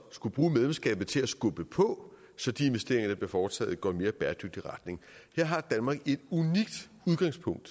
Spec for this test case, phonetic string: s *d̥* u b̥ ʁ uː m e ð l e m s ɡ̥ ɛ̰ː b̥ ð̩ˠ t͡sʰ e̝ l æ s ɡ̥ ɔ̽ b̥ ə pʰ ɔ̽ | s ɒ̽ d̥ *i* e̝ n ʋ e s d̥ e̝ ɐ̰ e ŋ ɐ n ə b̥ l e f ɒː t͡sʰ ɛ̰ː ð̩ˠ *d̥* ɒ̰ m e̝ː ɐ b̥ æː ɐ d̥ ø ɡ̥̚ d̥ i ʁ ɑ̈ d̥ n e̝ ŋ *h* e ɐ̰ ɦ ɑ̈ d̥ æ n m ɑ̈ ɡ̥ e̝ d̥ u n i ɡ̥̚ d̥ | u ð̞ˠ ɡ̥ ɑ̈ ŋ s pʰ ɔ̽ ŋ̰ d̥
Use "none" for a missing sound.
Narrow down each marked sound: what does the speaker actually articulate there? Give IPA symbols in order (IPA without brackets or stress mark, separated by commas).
ɡ̥, i, ɡ̥, h